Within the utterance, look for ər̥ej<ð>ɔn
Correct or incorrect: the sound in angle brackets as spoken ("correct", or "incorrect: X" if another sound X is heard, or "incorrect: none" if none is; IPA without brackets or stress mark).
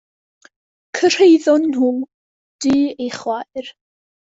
correct